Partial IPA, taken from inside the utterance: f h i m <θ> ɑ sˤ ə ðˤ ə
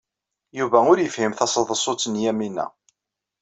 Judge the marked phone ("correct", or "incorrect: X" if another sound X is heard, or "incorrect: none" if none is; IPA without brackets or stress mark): correct